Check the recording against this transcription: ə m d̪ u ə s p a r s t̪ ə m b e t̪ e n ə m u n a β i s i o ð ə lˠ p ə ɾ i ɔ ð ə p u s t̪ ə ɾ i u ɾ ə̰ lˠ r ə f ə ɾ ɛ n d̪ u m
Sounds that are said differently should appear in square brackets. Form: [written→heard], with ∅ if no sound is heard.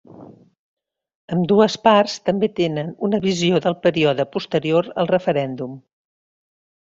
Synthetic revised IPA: ə m d̪ u ə s p a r s t̪ ə m b e t̪ e n ə [m→n] u n [a→ə] β i [s→z] i o ð ə lˠ p ə ɾ i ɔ ð ə p u s t̪ ə ɾ i [u→o] ɾ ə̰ lˠ r ə f ə ɾ ɛ n d̪ u m